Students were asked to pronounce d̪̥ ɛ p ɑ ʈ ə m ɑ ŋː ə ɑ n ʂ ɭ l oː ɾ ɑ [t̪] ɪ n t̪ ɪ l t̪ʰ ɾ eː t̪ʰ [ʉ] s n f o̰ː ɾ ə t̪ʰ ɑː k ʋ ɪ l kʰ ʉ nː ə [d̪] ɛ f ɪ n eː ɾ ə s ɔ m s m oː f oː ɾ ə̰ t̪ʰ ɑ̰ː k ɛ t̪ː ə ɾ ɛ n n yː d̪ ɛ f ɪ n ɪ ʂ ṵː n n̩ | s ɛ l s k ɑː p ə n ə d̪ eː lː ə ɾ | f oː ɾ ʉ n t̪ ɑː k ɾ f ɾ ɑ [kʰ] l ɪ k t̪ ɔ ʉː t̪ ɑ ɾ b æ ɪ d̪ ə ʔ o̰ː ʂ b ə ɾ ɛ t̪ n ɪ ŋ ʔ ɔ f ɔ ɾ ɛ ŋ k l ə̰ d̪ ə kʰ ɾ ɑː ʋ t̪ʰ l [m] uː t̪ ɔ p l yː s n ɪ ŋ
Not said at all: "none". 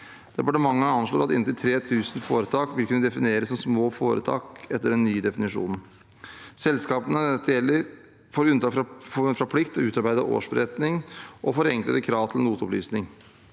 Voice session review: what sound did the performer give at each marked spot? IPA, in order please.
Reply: t̪, ʉː, d̪, pʰ, n

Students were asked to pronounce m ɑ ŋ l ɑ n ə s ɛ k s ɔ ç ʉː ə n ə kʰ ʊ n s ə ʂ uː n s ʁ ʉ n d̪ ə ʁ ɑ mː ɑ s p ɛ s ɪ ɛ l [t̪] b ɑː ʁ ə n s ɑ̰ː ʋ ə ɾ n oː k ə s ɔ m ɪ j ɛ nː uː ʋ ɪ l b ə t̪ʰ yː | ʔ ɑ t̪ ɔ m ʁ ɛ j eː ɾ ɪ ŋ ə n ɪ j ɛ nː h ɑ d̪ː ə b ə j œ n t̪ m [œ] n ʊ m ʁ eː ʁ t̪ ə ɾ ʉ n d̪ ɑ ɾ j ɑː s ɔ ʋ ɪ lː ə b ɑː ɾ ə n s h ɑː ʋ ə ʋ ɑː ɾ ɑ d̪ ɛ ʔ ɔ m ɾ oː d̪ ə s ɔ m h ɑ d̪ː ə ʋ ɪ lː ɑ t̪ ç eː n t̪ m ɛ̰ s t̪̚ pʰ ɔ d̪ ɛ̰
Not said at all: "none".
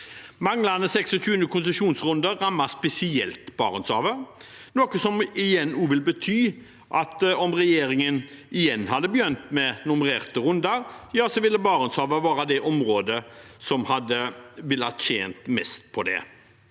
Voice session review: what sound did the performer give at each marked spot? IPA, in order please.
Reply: t̪, ɛ

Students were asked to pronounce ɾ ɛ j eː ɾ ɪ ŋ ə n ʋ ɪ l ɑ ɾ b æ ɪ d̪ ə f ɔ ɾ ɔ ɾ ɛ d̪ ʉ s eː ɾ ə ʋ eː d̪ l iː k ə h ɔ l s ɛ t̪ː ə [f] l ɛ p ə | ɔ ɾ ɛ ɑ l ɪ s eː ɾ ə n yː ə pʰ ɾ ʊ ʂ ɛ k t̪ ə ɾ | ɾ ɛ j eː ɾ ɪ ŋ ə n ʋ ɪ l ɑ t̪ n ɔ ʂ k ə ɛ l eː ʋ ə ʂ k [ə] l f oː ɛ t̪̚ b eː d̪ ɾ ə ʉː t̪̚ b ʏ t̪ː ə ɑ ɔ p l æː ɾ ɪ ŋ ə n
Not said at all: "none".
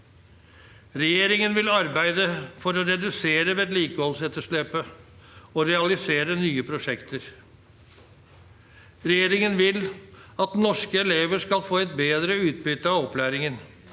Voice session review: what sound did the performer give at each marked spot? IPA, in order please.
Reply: ʂ, ɑ

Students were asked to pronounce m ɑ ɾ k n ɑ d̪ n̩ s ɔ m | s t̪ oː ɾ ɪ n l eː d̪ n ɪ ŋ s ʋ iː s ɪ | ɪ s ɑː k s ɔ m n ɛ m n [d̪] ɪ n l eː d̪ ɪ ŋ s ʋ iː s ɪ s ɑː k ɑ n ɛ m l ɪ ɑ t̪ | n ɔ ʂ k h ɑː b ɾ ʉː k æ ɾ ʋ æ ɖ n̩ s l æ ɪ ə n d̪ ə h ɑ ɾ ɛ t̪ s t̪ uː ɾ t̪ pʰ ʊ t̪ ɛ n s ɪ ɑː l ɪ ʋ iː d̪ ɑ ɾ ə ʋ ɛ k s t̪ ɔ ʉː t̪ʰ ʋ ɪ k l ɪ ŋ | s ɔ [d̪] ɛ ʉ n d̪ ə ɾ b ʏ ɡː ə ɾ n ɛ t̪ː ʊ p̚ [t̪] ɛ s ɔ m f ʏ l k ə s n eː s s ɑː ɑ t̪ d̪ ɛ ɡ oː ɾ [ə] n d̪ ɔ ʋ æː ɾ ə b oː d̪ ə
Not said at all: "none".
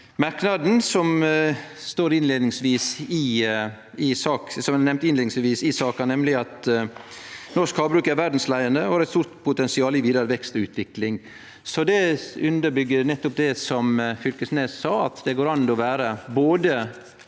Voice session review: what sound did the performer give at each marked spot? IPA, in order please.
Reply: t̪, d̪, d̪, ɑ

